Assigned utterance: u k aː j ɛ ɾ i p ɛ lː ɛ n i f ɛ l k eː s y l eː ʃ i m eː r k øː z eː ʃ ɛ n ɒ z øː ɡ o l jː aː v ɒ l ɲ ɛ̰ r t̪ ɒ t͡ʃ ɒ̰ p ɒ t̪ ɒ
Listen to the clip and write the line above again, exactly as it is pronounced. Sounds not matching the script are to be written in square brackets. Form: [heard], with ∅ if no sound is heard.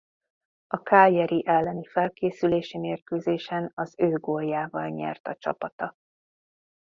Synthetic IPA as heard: [ɒ] k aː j ɛ ɾ i [ʔ] ɛ lː ɛ n i f ɛ l k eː s y l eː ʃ i m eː r k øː z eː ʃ ɛ n ɒ z øː ɡ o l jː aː v ɒ l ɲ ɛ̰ r t̪ ɒ t͡ʃ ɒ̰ p ɒ t̪ ɒ